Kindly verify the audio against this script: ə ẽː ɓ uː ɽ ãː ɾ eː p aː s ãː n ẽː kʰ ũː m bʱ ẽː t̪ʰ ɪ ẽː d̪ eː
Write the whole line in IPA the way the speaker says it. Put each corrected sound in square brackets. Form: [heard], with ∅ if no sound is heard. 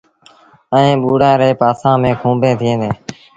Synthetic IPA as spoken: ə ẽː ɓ uː ɽ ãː ɾ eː p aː s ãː [m] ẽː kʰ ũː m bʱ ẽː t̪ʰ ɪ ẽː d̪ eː